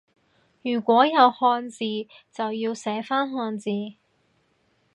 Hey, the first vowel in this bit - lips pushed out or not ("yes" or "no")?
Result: yes